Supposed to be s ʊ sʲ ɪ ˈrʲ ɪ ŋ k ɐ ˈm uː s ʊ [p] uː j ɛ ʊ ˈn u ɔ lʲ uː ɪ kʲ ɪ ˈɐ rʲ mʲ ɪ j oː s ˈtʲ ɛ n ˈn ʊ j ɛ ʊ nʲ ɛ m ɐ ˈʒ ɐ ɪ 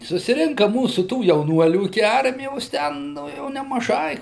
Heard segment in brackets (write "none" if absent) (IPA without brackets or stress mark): t